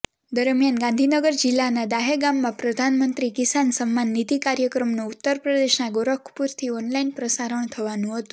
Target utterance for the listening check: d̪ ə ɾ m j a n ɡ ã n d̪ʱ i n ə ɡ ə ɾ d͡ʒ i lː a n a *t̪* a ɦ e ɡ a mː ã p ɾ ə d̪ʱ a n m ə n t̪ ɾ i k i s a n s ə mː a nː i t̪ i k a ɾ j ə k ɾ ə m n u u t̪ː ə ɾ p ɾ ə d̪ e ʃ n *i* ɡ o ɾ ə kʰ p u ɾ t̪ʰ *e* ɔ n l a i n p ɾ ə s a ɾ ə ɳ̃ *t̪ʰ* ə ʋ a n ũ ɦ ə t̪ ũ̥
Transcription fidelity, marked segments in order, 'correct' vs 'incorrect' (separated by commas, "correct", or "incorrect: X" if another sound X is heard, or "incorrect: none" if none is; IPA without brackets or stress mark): incorrect: d̪, incorrect: a, incorrect: i, correct